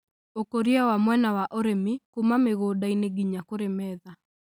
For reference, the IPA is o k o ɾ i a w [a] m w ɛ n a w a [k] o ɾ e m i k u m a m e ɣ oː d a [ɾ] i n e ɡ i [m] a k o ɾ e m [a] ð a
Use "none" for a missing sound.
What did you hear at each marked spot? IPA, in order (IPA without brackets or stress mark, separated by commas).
a, ʔ, none, ɲ, ɛ